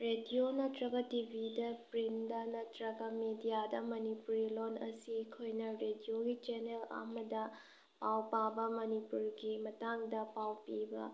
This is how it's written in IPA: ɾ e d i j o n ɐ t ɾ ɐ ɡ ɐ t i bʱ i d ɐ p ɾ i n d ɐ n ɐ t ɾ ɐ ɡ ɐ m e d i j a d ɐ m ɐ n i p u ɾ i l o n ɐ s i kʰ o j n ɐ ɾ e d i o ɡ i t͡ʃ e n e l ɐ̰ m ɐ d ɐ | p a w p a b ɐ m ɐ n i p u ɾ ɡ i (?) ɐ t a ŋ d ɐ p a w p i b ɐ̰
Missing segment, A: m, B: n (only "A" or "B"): A